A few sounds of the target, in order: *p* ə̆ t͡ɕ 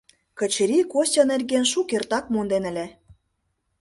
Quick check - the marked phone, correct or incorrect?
incorrect: k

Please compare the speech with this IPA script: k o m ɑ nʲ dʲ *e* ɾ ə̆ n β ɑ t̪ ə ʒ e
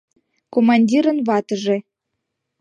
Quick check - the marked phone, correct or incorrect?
incorrect: i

